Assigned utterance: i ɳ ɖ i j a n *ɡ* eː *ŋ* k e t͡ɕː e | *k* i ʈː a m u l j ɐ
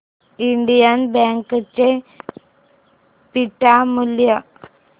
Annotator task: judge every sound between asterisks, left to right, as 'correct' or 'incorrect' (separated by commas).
incorrect, correct, incorrect